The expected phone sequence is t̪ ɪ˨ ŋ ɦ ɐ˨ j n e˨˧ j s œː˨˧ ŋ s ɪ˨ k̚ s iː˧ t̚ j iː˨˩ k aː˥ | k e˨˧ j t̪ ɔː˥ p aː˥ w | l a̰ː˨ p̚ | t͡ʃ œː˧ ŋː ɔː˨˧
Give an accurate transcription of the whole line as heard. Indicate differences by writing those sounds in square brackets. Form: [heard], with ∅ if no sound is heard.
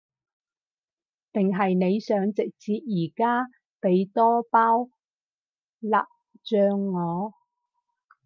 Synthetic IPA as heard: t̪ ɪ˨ ŋ ɦ ɐ˨ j n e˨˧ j s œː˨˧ ŋ [t͡s] ɪ˨ k̚ [t͡s] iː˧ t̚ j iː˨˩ k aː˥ | [p] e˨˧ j t̪ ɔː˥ p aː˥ w | l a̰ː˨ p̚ | t͡ʃ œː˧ ŋː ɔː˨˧